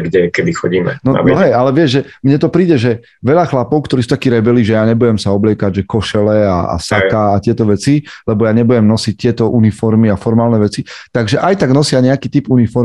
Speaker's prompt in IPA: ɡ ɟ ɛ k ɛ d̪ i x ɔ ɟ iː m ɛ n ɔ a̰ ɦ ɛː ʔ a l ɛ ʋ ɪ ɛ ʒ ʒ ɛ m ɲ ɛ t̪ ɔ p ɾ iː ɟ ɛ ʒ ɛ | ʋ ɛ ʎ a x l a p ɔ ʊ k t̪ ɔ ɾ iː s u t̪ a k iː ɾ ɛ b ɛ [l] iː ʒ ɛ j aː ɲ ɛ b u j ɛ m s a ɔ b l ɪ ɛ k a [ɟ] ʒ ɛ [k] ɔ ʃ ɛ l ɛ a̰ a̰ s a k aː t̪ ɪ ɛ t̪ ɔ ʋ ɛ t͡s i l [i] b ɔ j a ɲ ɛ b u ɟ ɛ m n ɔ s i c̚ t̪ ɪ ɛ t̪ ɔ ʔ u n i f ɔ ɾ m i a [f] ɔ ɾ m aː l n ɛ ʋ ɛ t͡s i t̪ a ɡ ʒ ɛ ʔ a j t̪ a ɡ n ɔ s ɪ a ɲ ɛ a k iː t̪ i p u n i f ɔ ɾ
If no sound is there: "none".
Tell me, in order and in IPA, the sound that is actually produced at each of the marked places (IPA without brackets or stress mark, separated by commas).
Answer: l, ɟ, k, ɛ, f